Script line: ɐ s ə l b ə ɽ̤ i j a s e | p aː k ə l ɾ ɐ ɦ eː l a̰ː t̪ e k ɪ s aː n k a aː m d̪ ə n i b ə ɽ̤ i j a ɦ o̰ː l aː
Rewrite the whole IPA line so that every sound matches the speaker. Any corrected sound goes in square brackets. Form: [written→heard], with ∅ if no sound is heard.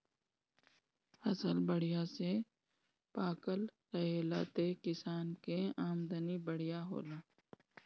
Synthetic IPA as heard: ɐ s ə l b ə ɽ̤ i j a s e | p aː k ə l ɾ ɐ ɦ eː l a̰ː t̪ e k ɪ s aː n k [a→e] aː m d̪ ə n i b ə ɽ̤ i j a ɦ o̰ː l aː